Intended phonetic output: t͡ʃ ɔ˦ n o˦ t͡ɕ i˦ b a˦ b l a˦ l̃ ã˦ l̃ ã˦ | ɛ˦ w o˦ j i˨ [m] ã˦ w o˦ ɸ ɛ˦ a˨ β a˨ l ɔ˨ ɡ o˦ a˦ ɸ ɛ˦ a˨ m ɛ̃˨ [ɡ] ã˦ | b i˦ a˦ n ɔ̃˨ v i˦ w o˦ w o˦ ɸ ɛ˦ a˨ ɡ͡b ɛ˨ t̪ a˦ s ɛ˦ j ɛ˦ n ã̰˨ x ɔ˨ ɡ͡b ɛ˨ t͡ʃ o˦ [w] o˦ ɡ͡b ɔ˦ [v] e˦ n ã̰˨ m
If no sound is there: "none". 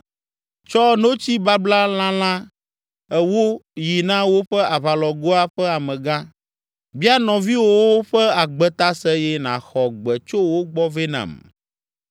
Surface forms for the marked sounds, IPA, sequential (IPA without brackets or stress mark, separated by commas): n, ɡ, w, v